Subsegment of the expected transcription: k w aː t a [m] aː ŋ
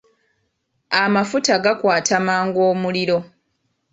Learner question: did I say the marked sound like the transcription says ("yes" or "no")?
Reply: yes